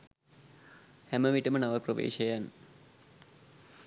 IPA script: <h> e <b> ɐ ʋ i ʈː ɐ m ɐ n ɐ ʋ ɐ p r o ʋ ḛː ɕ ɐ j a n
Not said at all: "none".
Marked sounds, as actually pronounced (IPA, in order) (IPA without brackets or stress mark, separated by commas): h, m